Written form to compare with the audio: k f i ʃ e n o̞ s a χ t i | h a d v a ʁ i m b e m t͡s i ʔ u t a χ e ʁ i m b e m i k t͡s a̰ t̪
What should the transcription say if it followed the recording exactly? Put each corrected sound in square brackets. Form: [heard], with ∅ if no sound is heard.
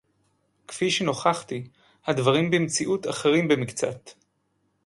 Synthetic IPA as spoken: k f i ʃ e n o̞ [χ] a χ t i | h a d v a ʁ i m b e m t͡s i ʔ u t a χ e ʁ i m b e m i k t͡s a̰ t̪